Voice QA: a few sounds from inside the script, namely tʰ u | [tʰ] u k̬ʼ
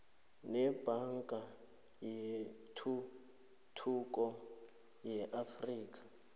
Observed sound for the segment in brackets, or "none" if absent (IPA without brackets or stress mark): tʰ